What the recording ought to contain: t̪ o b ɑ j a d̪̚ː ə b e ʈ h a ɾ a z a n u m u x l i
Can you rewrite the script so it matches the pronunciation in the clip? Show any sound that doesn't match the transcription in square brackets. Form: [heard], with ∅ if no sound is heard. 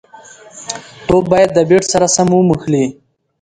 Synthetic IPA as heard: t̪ o b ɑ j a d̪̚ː ə b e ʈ [s] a ɾ a [s] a [m] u m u x l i